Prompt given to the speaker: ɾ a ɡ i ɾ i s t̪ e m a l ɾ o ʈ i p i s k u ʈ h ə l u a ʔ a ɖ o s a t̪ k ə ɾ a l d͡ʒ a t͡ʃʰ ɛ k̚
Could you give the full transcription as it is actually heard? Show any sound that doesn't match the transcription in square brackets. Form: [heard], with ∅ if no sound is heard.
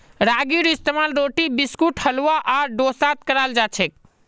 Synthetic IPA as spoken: ɾ a ɡ i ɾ i s t̪ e m a l ɾ o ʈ i [b] i s k u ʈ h ə l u a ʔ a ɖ o s a t̪ k ə ɾ a l d͡ʒ a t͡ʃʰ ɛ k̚

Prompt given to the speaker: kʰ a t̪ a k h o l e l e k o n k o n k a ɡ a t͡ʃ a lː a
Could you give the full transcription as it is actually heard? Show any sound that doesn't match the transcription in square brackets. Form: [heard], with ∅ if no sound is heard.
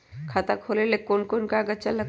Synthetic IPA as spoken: kʰ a t̪ a k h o l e l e k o n k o n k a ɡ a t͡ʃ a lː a

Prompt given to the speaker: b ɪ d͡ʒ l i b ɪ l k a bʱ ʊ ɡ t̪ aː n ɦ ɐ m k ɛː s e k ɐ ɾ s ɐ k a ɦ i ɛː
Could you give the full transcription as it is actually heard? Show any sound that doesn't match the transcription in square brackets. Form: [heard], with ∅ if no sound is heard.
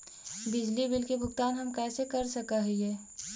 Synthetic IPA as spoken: b ɪ d͡ʒ l i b ɪ l k [e] bʱ ʊ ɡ t̪ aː n ɦ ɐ m k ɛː s e k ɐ ɾ s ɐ k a ɦ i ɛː

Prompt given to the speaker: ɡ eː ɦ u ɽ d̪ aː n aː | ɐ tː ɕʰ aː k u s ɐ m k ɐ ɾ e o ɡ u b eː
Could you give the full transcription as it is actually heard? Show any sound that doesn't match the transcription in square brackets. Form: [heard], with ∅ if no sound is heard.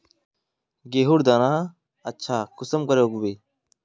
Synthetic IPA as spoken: ɡ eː ɦ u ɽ d̪ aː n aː | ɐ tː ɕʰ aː k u s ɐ m k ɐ ɾ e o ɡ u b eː

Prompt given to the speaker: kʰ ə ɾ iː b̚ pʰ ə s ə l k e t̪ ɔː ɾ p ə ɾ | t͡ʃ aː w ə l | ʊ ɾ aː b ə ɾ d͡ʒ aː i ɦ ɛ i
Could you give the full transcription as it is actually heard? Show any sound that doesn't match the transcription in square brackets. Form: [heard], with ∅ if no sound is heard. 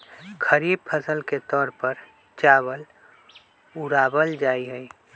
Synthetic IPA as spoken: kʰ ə ɾ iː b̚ pʰ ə s ə l k e t̪ ɔː ɾ p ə ɾ | t͡ʃ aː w ə l | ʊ ɾ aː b ə [l] d͡ʒ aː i ɦ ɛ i

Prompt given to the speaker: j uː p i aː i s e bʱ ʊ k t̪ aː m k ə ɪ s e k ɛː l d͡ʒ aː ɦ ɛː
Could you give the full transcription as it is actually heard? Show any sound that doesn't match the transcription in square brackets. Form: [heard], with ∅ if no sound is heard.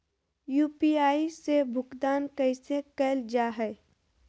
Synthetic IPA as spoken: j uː p i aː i s e bʱ ʊ k [d̪] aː [n] k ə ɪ s e k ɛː l d͡ʒ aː ɦ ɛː

